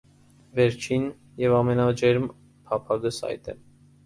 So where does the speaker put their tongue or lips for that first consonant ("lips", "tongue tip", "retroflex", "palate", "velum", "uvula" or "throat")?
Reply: lips